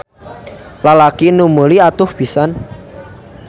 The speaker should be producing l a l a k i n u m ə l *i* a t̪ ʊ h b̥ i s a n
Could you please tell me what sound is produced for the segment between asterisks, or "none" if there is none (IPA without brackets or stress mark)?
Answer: i